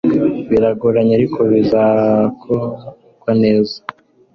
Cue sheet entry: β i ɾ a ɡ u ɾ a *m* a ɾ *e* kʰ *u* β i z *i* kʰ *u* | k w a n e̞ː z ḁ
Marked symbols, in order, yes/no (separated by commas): no, no, no, no, no